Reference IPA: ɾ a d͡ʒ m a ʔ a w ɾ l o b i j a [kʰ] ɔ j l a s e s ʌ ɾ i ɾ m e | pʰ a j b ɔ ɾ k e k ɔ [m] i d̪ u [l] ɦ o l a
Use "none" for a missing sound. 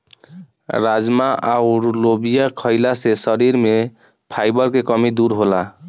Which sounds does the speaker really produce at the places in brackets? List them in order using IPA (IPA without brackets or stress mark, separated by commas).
kʰ, m, ɾ